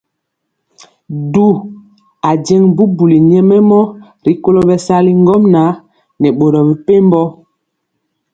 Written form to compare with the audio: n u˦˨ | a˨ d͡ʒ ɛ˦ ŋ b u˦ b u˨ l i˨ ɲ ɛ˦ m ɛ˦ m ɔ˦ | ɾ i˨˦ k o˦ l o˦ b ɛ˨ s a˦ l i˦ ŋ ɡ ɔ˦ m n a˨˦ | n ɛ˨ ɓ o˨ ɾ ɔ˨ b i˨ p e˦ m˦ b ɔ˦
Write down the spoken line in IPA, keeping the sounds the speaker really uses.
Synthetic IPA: d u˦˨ | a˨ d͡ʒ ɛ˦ ŋ b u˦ b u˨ l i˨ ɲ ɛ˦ m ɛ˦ m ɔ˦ | ɾ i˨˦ k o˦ l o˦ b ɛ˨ s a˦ l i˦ ŋ ɡ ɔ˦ m n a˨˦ | n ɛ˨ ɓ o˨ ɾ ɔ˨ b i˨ p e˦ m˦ b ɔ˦